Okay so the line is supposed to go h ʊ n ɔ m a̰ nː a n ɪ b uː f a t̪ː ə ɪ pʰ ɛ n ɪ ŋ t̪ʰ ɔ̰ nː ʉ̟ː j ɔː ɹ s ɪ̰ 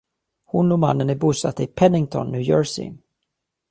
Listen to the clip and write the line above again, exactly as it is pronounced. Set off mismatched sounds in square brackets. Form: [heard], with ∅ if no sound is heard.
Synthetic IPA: h ʊ n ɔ m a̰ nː [ə] n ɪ b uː [s] a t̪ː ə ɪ pʰ ɛ n ɪ ŋ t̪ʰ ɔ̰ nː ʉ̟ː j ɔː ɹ s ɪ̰